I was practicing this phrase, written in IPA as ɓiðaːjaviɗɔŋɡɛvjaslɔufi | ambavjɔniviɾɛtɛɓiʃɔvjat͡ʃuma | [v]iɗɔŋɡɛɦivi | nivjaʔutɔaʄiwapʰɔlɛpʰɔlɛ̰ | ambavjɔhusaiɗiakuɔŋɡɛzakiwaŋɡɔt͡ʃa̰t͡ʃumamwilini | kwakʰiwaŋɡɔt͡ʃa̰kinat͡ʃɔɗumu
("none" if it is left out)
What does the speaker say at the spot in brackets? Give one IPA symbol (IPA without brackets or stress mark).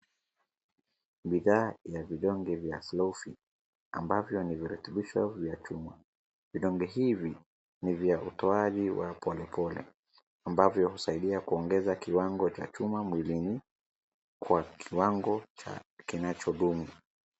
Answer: v